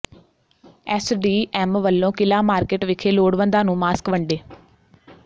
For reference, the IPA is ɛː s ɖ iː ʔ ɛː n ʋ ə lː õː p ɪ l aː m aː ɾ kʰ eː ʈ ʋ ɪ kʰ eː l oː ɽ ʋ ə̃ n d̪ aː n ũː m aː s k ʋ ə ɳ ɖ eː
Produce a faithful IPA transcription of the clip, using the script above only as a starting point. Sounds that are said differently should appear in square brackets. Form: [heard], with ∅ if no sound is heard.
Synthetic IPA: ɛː s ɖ iː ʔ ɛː [m] ʋ ə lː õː [k] ɪ l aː m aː ɾ [k] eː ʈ ʋ ɪ kʰ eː l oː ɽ ʋ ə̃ n d̪ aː n ũː m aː s k ʋ ə ɳ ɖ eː